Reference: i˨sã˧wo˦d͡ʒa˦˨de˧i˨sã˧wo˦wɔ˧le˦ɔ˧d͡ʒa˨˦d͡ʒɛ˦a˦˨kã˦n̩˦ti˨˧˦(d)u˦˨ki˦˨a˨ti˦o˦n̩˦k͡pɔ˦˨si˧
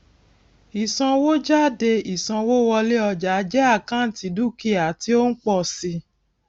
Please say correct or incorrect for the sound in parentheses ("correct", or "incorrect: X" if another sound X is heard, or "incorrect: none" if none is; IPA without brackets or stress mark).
correct